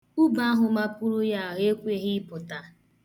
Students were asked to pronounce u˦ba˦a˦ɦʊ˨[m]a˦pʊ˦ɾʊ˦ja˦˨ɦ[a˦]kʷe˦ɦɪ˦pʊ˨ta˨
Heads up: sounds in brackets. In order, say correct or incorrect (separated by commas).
correct, incorrect